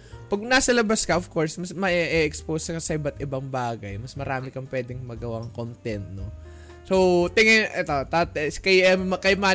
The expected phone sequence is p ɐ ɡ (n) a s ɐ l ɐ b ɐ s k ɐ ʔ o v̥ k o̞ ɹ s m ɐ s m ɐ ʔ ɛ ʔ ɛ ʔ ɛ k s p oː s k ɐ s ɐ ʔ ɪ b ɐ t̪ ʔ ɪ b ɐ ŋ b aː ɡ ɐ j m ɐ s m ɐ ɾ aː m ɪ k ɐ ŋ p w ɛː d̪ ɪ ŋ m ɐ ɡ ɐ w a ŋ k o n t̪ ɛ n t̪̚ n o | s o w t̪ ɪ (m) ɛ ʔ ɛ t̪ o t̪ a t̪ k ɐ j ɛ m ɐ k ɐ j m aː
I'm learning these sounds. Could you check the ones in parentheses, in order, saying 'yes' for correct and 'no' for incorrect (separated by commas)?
yes, no